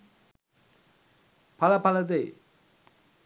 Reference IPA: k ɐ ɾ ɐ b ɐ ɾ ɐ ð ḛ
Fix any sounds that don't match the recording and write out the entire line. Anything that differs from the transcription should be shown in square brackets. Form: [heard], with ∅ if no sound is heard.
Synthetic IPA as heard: [p] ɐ [l] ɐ [p] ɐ [l] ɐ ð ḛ